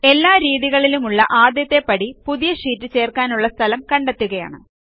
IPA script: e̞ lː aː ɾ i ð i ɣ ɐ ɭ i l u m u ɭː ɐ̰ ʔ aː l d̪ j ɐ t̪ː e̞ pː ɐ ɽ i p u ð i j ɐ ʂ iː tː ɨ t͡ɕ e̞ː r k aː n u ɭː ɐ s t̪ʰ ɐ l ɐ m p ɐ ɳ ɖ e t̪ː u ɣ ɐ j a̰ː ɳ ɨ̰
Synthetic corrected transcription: e̞ lː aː ɾ iː ð i ɣ ɐ ɭ i l u m u ɭː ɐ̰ ʔ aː d̪ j ɐ t̪ː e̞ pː ɐ ɽ i p u ð i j ɐ ʂ iː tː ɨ t͡ɕ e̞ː r k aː n u ɭː ɐ s t̪ʰ ɐ l ɐ m k ɐ ɳ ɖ e t̪ː u ɣ ɐ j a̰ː ɳ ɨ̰

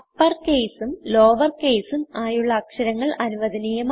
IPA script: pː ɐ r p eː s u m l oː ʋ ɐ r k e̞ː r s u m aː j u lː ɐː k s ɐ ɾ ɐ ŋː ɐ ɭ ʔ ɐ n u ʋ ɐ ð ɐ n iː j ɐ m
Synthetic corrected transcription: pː ɐ r k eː s u m l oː ʋ ɐ r k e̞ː s u m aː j u ɭː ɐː k ʂ ɐ ɾ ɐ ŋː ɐ ɭ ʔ ɐ n u ʋ ɐ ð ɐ n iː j ɐ m

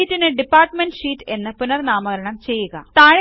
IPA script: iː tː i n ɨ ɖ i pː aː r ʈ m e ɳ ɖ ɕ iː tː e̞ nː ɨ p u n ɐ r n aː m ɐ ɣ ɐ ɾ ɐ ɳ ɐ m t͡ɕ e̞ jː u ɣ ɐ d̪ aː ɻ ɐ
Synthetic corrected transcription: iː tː i n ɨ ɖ i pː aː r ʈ m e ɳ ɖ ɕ iː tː e̞ nː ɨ p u n ɐ r n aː m ɐ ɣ ɐ ɾ ɐ ɳ ɐ m t͡ɕ e̞ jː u ɣ ɐ t̪ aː ɻ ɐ

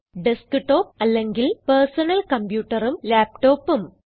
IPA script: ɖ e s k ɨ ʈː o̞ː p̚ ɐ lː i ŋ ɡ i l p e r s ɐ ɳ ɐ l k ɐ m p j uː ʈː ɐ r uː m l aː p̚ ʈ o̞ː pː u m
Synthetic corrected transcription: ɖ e s k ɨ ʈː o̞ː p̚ ɐ lː e ŋ ɡ i l p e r s ɐ n ɐ l k ɐ m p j uː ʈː ɐ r u m l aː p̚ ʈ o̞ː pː u m

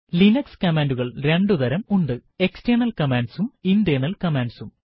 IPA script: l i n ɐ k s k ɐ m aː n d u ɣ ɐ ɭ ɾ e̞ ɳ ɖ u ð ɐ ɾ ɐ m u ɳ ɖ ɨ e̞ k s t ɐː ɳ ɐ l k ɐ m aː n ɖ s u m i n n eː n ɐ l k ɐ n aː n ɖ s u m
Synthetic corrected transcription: l i n ɐ k s k ɐ m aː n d u ɣ ɐ ɭ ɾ e̞ ɳ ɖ u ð ɐ ɾ ɐ m u ɳ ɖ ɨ e̞ k s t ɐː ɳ ɐ l k ɐ m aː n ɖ s u m i n d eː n ɐ l k ɐ m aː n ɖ s u m

